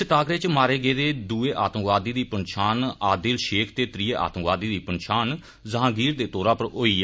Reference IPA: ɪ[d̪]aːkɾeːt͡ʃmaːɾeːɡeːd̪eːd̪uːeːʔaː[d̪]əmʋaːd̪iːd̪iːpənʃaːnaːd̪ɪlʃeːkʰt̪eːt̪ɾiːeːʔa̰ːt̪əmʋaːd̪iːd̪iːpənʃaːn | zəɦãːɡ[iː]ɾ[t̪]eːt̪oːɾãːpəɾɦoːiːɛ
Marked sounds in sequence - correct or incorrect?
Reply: incorrect: t̪, incorrect: t̪, correct, incorrect: d̪

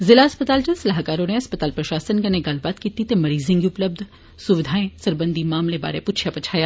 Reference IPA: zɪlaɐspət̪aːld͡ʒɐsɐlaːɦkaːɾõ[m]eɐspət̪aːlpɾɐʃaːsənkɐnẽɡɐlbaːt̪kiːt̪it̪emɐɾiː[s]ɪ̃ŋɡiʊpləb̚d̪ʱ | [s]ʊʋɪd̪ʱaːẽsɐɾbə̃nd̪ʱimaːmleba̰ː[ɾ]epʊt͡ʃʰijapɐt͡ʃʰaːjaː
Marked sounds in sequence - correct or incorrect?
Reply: incorrect: n, incorrect: z, correct, correct

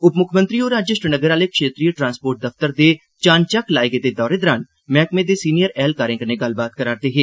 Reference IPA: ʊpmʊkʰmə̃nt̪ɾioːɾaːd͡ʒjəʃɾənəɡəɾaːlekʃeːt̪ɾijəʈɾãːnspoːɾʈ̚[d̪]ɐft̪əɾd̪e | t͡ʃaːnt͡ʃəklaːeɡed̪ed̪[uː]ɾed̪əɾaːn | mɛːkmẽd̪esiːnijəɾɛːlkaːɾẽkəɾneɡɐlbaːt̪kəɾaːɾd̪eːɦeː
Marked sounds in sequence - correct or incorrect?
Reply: correct, incorrect: ɔː

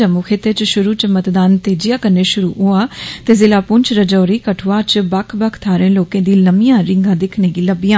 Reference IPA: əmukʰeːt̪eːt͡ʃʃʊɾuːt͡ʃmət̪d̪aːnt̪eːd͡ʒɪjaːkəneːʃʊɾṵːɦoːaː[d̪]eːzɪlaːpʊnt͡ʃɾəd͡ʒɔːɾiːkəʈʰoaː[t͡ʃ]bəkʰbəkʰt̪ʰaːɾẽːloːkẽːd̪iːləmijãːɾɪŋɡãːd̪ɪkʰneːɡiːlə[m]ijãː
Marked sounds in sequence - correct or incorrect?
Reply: incorrect: t̪, correct, incorrect: b

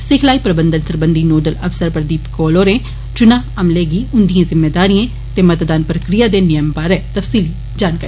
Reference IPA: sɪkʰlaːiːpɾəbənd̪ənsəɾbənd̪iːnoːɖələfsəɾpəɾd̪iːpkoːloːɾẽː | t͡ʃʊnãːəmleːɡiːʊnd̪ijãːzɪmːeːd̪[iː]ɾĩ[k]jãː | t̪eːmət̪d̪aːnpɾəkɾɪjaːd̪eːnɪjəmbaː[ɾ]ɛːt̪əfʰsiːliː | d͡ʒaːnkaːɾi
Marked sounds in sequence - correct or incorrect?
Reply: incorrect: aː, incorrect: none, correct

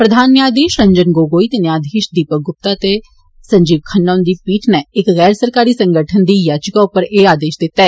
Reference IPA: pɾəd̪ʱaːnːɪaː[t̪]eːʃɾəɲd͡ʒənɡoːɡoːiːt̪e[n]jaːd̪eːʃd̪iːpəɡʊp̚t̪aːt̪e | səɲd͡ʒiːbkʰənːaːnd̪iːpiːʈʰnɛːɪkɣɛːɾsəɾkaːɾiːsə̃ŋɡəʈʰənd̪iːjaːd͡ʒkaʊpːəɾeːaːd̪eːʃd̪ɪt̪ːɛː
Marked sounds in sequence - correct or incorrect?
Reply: incorrect: d̪, correct

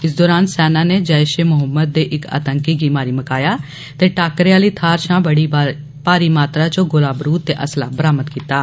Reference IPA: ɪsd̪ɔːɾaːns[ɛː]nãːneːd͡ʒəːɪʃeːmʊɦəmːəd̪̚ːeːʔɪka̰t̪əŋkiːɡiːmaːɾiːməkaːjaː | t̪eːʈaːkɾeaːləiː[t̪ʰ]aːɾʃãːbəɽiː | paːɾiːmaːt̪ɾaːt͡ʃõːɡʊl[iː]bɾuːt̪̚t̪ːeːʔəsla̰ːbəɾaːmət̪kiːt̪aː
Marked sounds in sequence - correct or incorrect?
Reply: correct, correct, incorrect: aː

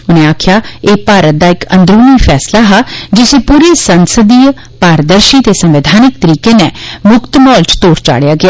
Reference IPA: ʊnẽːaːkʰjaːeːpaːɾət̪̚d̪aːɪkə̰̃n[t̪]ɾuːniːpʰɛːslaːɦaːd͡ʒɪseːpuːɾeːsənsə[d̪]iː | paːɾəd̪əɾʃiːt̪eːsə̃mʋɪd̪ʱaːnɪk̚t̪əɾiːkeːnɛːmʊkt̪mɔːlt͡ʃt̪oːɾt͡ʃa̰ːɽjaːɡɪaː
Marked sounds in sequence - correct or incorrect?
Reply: incorrect: d̪, correct

